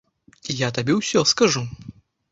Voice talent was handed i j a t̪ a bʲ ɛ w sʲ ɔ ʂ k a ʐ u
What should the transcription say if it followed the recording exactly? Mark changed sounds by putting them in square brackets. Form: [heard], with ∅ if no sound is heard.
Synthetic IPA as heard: i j a t̪ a bʲ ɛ w sʲ ɔ [s] k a ʐ u